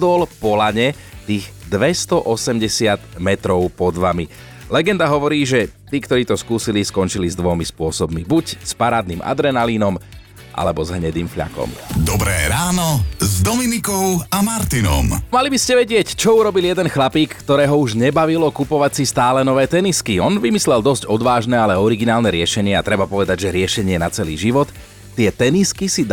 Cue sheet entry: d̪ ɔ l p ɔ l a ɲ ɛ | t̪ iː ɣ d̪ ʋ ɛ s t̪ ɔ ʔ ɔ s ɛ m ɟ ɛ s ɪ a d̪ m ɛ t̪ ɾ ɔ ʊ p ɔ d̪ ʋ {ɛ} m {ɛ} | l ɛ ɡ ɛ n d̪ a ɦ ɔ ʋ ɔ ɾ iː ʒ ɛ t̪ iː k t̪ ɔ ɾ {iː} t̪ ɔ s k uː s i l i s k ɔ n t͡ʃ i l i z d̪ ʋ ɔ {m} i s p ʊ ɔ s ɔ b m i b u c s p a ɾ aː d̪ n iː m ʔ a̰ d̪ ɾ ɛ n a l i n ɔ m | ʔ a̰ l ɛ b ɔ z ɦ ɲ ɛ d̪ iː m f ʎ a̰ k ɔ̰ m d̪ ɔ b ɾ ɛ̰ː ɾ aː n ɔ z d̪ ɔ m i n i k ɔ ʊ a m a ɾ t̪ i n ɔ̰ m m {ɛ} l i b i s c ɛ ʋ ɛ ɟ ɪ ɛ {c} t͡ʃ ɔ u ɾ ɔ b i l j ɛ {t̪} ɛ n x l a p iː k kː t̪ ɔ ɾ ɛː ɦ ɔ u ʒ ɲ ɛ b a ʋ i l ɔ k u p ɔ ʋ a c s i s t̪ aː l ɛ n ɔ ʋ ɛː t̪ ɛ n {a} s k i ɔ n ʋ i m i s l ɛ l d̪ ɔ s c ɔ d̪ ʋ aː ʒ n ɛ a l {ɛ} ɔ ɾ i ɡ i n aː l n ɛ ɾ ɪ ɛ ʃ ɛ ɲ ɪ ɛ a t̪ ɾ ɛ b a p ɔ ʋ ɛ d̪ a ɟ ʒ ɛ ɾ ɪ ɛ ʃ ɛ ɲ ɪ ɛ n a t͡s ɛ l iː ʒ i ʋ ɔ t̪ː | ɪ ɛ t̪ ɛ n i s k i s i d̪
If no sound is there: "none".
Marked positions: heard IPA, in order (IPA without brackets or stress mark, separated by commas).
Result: a, i, iː, m, a, c, d̪, i, ɛ